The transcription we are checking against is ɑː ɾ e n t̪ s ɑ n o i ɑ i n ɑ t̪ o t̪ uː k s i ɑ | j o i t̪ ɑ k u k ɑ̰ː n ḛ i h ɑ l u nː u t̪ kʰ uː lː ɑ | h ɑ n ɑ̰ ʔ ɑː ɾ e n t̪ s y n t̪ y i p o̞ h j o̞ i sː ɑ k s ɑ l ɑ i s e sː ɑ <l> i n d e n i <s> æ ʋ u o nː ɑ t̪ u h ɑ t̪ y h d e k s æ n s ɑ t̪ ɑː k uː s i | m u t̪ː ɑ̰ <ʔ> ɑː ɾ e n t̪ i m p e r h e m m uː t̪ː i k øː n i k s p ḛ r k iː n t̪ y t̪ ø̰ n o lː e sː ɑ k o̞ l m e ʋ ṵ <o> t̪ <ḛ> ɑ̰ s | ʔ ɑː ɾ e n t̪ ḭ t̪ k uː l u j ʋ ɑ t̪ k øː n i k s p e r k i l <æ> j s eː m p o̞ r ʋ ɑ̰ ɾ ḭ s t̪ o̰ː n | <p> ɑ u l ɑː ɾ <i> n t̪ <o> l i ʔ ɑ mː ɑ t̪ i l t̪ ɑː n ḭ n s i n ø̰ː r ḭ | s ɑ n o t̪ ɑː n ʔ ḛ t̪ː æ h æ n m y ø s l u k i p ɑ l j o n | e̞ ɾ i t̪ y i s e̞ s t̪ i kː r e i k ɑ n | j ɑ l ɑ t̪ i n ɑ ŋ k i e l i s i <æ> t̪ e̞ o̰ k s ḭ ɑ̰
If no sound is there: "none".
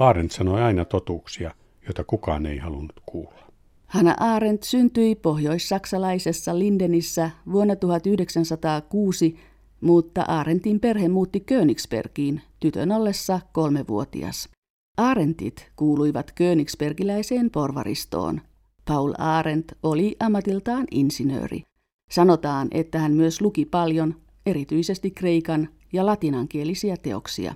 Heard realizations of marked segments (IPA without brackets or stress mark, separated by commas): l, sː, ʔ, o, ḭ, æ, p, e, o, æ